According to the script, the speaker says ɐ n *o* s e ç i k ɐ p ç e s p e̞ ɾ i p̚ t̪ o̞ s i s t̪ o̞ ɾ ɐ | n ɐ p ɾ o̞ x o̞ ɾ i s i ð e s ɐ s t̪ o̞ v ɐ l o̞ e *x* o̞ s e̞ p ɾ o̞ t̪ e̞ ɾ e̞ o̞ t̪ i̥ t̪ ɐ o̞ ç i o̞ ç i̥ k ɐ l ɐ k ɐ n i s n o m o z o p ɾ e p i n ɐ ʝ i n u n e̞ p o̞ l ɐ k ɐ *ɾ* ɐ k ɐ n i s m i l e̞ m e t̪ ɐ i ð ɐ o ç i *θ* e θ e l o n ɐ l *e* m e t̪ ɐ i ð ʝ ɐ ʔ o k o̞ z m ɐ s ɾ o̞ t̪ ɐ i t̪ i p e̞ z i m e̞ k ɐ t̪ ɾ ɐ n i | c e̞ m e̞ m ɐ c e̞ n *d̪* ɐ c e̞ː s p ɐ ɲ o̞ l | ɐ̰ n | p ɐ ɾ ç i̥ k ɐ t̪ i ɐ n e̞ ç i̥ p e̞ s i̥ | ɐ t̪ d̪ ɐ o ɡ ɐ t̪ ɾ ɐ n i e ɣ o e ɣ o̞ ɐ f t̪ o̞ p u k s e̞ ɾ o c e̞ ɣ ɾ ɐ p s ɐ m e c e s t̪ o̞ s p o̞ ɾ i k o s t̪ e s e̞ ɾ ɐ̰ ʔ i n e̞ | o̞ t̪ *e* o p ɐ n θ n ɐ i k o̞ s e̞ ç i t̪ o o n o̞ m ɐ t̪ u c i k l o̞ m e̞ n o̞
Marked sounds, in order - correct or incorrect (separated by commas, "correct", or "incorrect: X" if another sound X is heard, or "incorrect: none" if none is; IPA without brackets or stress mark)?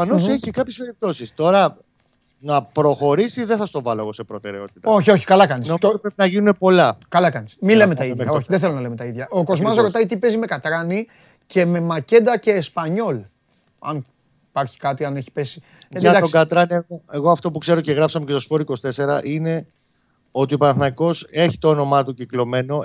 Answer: correct, incorrect: ɣ, incorrect: l, incorrect: ð, correct, correct, incorrect: i